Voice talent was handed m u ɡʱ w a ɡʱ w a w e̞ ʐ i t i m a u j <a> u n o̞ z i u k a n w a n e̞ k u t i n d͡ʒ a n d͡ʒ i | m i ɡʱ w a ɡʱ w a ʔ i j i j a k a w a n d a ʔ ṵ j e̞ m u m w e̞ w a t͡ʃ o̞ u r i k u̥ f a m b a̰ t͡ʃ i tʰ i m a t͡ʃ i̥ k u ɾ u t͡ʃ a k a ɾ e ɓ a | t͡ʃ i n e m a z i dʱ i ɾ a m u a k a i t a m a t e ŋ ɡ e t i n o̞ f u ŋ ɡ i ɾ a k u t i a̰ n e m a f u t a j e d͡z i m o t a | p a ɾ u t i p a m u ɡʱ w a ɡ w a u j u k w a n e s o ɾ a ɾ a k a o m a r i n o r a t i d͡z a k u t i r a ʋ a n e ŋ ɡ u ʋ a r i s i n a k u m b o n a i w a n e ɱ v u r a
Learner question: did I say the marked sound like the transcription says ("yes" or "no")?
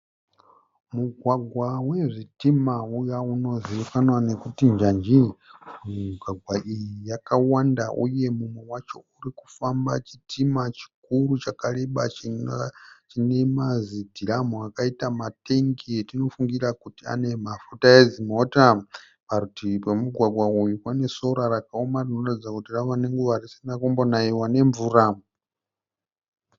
yes